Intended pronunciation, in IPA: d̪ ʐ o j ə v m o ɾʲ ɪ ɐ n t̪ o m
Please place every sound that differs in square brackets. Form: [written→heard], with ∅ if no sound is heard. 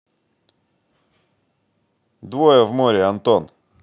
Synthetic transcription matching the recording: d̪ [ʐ→v] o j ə v m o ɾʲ ɪ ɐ n t̪ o [m→n]